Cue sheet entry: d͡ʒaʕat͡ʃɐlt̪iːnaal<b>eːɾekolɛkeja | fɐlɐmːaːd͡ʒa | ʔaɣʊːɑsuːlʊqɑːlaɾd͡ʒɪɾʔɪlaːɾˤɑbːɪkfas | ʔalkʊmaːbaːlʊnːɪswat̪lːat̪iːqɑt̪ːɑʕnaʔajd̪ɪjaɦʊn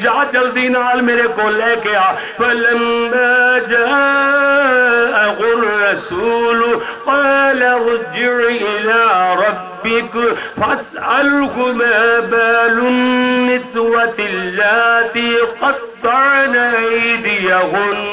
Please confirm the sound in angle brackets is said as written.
no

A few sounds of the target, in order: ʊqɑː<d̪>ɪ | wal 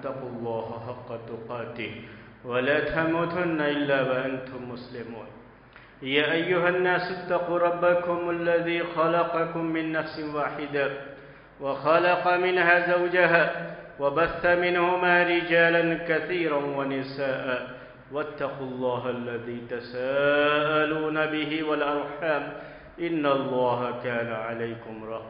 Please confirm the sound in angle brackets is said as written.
no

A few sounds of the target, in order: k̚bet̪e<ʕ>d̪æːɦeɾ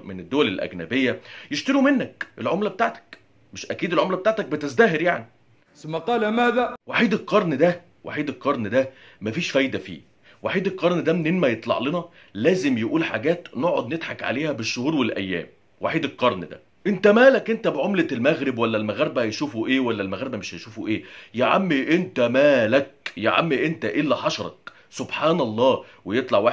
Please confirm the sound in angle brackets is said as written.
no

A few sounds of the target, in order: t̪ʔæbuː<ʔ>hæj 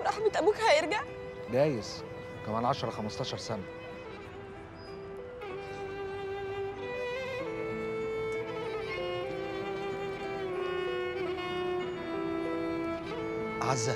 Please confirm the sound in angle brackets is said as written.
no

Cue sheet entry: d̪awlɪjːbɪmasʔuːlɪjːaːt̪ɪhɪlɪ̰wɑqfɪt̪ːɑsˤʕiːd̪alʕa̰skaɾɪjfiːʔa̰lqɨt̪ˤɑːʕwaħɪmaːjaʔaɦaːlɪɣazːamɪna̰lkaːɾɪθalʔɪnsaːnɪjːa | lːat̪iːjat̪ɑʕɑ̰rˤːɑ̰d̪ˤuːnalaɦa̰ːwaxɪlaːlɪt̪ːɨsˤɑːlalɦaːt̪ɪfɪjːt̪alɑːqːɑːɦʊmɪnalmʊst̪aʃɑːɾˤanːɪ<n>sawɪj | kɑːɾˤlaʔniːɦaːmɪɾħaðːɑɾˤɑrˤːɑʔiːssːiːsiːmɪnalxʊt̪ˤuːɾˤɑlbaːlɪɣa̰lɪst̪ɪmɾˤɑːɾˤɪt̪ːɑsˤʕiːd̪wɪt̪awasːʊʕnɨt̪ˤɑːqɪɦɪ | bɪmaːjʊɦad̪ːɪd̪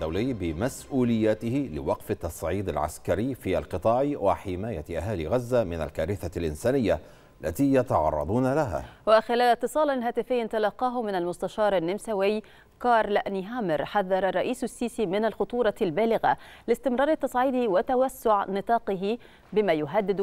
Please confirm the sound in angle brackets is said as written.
no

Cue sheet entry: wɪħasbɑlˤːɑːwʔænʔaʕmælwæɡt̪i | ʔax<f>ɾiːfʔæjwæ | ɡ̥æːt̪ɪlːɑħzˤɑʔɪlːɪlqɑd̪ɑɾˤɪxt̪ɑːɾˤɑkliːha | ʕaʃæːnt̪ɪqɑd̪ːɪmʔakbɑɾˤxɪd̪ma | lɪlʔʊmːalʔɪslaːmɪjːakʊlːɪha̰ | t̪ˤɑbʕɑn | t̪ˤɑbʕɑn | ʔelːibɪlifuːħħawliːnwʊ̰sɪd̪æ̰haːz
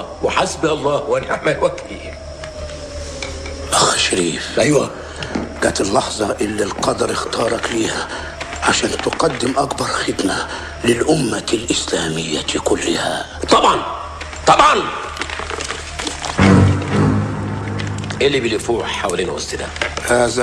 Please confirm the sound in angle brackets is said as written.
no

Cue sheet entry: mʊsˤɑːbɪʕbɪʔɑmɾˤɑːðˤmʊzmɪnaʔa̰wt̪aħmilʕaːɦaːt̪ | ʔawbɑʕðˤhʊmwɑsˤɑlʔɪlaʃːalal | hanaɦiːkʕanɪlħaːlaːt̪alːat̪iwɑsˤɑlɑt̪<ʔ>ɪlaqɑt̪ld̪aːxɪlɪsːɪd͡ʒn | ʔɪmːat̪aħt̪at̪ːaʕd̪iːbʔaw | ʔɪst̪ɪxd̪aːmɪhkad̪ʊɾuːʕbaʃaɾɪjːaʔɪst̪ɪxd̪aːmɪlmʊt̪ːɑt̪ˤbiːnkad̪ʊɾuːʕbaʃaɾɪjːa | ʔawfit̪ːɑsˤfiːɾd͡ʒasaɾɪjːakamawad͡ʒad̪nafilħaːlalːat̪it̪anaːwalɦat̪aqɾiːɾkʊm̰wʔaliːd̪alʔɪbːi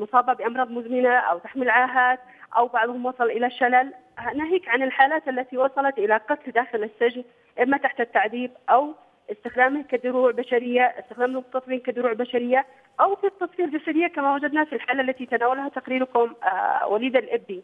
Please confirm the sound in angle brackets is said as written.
yes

